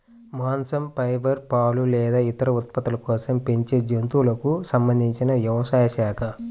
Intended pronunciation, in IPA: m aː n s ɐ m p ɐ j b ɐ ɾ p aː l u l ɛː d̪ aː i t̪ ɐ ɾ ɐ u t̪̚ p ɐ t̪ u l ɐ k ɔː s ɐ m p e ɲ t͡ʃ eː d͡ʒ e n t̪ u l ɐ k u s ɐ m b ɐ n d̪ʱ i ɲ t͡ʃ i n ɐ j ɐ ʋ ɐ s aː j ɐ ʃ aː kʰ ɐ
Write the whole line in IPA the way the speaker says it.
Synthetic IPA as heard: m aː n s ɐ m p ɐ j b ɐ ɾ p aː l u l ɛː d̪ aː i t̪ ɐ ɾ ɐ u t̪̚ p ɐ t̪ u l ɐ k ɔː s ɐ m p e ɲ t͡ʃ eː d͡ʒ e n t̪ u l ɐ k u s ɐ m b ɐ n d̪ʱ i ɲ t͡ʃ i n ɐ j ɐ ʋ ɐ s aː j ɐ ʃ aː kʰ ɐ